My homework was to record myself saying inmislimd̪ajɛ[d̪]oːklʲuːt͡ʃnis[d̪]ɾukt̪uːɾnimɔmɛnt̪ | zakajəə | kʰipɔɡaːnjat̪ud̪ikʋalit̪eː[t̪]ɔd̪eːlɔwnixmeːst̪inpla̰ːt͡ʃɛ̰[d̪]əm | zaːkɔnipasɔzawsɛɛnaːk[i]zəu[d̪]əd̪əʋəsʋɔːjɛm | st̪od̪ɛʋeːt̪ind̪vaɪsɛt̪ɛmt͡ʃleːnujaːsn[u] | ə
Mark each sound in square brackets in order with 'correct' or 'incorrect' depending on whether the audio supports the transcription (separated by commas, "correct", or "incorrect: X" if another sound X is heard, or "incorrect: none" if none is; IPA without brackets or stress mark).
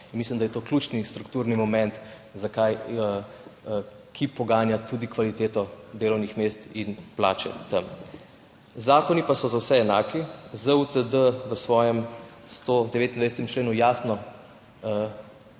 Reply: incorrect: t̪, incorrect: t̪, correct, incorrect: t̪, correct, incorrect: t̪, incorrect: ɔ